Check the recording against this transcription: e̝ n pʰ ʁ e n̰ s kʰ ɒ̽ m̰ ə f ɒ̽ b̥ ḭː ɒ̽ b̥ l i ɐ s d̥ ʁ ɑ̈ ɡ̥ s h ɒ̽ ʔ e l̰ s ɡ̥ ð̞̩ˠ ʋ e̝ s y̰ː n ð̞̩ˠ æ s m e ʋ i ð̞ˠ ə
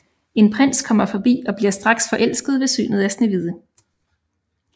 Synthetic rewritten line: e̝ n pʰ ʁ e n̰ s kʰ ɒ̽ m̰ ɐ f ɒ̽ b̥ ḭː ɒ̽ b̥ l i ɐ s d̥ ʁ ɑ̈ ɡ̥ s f ɒ̽ ʔ e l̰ s ɡ̥ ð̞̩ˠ ʋ e̝ s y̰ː n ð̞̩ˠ æ s n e ʋ i ð̞ˠ ə